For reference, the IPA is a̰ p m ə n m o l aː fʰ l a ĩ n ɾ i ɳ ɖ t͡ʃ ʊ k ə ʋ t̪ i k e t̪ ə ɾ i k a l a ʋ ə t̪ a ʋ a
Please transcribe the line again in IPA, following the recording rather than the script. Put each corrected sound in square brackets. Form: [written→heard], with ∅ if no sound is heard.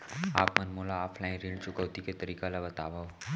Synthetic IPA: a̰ p m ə n m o l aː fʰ l a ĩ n ɾ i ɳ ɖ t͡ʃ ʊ k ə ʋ t̪ i k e t̪ ə ɾ i k a l a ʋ ə t̪ a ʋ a